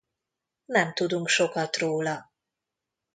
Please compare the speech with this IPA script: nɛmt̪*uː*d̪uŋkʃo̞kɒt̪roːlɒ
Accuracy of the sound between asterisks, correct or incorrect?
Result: incorrect